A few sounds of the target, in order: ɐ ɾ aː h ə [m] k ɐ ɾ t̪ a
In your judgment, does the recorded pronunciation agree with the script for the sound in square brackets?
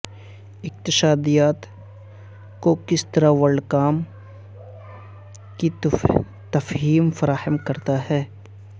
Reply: yes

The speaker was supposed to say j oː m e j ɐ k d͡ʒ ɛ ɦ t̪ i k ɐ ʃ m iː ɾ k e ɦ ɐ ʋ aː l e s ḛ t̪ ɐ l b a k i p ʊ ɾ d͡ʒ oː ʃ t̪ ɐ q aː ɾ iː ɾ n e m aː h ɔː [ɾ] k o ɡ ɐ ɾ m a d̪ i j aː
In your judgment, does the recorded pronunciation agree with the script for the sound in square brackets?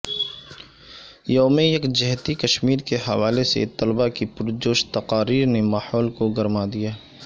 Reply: no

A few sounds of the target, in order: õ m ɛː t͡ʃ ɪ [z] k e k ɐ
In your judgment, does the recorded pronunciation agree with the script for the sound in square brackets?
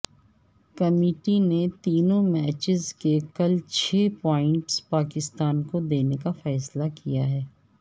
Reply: yes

